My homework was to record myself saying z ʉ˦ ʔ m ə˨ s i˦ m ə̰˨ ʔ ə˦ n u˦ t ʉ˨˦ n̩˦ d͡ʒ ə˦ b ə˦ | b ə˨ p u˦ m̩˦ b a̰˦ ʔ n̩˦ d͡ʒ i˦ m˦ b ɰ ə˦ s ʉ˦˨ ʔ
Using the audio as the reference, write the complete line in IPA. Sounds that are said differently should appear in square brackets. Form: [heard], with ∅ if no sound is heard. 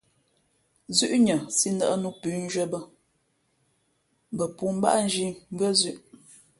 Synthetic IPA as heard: z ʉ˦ ʔ [ɲ] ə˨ s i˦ [n] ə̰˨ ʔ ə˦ n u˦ [p] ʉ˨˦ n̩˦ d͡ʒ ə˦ b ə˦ | b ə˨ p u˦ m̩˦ b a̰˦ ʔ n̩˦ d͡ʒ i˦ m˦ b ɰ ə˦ [z] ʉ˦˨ ʔ